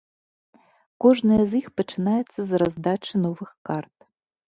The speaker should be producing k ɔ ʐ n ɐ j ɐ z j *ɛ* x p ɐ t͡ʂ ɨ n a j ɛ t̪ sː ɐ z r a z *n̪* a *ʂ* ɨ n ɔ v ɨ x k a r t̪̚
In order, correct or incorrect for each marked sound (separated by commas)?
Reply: incorrect, incorrect, incorrect